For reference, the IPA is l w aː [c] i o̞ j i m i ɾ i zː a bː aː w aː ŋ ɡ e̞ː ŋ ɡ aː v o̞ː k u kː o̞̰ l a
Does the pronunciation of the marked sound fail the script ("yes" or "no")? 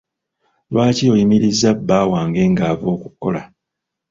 no